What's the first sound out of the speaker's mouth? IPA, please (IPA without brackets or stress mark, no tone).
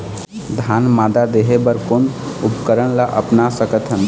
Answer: d̪ʱ